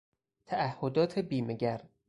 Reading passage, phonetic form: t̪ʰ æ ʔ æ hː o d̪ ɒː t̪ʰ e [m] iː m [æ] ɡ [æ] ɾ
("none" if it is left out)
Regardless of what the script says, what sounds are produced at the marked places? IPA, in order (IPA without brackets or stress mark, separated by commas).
b, e, æ